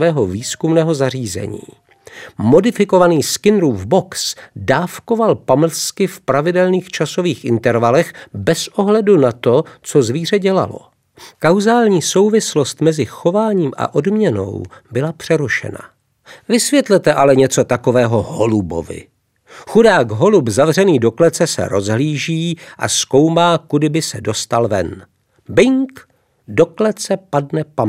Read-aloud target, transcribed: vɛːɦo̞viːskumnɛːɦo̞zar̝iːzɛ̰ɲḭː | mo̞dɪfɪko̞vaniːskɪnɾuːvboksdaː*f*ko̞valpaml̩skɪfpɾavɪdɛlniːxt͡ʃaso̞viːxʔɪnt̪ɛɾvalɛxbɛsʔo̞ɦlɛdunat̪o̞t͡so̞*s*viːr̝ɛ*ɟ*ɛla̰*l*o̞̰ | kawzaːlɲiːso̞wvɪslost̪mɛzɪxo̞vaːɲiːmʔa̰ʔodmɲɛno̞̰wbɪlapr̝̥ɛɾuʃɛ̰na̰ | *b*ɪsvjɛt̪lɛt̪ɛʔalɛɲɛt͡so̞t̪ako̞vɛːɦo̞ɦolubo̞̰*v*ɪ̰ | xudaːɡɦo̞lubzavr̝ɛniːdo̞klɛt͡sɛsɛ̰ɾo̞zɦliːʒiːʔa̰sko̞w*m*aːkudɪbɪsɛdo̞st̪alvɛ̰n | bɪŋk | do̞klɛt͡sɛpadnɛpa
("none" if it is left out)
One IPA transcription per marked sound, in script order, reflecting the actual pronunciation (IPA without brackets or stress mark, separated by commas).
f, z, ɟ, l, v, v, m